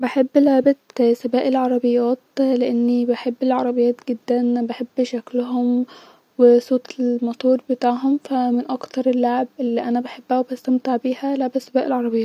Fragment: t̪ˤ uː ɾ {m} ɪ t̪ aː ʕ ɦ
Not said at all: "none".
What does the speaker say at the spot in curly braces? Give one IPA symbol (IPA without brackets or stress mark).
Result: b